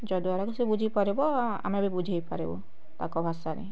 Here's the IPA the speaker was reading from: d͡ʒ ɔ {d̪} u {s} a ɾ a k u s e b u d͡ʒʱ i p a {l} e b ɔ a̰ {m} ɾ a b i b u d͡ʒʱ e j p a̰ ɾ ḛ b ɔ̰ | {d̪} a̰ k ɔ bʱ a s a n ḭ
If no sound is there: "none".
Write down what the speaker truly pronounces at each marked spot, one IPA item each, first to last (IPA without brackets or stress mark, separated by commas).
d̪, none, ɾ, m, t̪